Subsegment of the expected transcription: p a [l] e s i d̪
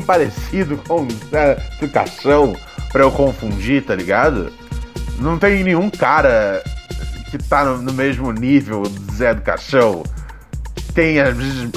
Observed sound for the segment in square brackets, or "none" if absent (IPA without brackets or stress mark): ɾ